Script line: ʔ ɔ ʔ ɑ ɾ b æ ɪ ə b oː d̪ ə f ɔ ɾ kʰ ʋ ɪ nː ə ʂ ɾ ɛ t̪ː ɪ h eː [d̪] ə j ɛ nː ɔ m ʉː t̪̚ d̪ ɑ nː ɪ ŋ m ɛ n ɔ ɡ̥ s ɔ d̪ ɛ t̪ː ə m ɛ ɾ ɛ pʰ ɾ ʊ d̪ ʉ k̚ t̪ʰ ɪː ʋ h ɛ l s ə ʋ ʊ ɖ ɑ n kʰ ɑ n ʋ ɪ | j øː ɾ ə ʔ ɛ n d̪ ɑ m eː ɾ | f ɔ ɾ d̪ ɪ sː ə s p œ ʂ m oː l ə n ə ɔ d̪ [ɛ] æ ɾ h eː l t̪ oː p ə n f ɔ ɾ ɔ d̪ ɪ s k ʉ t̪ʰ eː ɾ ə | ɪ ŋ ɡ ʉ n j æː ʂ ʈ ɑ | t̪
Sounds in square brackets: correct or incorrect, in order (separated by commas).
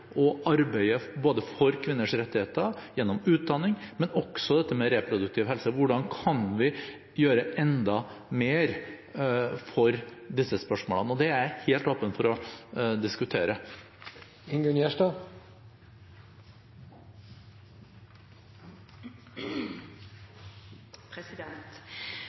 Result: incorrect, correct